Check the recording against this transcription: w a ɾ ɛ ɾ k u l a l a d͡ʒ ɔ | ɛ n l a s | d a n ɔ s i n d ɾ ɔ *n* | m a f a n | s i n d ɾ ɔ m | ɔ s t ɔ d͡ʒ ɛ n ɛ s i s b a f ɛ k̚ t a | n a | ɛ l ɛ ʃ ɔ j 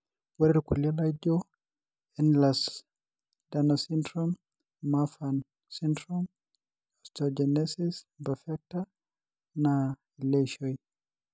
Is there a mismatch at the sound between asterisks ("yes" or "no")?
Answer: yes